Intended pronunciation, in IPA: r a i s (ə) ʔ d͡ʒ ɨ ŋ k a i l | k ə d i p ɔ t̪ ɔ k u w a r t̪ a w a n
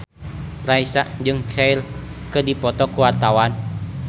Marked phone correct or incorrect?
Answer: incorrect